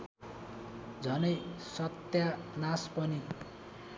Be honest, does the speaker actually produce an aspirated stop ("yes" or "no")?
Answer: no